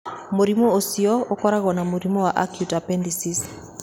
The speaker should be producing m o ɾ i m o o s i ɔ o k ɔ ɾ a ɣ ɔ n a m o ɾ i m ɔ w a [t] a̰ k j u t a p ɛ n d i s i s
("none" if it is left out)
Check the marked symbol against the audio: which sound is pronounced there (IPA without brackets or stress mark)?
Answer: ʔ